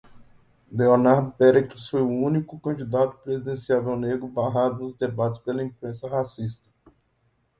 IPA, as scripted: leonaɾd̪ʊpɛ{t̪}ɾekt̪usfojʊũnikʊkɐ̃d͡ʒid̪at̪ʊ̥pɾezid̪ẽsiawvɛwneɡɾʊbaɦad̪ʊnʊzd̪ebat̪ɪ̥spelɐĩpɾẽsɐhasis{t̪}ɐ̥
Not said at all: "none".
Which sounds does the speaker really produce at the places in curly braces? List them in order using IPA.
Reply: none, t̪

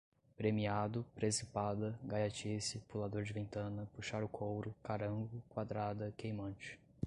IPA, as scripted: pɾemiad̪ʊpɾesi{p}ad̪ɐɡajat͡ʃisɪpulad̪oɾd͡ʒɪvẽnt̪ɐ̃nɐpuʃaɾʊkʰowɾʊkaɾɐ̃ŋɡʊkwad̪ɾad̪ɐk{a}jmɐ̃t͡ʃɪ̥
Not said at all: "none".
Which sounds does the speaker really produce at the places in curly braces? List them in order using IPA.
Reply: p, e

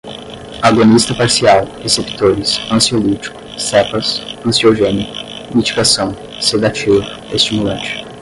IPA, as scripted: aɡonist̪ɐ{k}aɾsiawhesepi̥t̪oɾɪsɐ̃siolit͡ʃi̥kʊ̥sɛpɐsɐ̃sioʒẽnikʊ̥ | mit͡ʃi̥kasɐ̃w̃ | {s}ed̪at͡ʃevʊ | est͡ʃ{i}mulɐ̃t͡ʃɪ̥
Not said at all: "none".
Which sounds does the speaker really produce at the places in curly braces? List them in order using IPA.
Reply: p, s, i

